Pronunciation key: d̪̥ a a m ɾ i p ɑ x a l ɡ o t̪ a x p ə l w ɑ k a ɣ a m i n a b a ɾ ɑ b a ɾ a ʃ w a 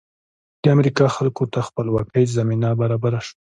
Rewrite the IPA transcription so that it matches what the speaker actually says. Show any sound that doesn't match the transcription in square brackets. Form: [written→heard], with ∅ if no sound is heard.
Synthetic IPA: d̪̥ [a→ə] a m ɾ i [p→k] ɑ x a l [ɡ→k] o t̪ a x p ə l w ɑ k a [ɣ→z] a m i n a b a ɾ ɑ b a ɾ a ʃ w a